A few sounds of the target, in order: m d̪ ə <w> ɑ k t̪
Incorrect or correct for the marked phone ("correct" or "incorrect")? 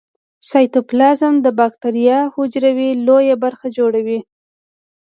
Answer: incorrect